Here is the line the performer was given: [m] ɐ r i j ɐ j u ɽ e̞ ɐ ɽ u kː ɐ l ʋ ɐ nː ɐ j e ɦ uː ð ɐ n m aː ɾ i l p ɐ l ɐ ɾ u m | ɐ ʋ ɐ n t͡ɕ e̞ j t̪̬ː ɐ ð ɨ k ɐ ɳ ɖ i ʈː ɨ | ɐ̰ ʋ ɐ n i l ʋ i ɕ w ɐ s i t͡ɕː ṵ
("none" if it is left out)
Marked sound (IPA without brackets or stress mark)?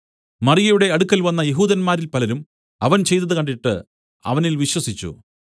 m